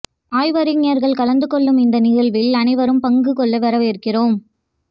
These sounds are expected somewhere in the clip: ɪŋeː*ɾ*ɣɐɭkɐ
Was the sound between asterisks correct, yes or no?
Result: yes